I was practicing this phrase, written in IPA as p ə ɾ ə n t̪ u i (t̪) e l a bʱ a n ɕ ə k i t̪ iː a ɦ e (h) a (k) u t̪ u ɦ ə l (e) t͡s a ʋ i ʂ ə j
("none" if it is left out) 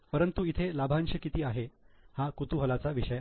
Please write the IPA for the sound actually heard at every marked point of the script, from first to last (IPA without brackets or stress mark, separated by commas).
t̪ʰ, h, k, a